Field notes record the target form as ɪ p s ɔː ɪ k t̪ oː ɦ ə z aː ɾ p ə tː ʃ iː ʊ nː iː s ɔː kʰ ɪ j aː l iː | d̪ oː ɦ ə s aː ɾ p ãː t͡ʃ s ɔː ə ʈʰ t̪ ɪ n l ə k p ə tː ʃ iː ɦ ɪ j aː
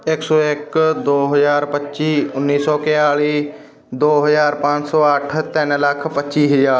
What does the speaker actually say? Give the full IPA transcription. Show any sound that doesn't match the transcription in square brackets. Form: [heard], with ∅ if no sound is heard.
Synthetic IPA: ɪ [k] s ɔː ɪ k [d̪] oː ɦ ə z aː ɾ p ə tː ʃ iː ʊ nː iː s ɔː [k] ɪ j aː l iː | d̪ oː ɦ ə [z] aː ɾ p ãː t͡ʃ s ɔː ə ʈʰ t̪ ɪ n l ə [kʰ] p ə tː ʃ iː ɦ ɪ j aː